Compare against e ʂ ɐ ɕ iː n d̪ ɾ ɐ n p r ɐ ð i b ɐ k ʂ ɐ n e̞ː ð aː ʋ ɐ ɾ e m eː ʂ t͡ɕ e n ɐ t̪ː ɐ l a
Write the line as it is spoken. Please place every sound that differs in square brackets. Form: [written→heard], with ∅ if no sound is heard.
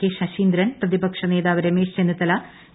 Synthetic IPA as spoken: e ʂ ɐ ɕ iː n d̪ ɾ ɐ n p r ɐ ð i b ɐ k ʂ ɐ n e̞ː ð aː ʋ ɐ ɾ e m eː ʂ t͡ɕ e n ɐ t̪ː ɐ l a

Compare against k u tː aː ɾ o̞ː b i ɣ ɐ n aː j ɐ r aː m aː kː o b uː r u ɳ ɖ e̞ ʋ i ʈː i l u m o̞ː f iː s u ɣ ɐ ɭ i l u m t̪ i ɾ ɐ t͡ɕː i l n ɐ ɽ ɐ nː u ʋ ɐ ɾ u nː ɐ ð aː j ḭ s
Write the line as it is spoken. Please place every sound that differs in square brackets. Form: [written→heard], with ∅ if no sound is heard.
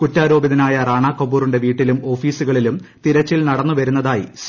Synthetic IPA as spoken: k u tː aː ɾ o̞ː b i [ɣ→ð] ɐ n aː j ɐ r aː [m→ɳ] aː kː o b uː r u ɳ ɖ e̞ ʋ [i→iː] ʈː i l u m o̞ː f iː s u ɣ ɐ ɭ i l u m t̪ i ɾ ɐ t͡ɕː i l n ɐ ɽ ɐ nː u ʋ ɐ ɾ u nː ɐ ð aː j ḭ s

